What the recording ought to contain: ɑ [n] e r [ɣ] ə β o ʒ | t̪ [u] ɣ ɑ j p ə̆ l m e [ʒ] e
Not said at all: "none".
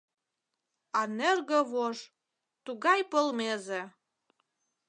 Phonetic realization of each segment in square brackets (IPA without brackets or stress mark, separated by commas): n, ɣ, u, z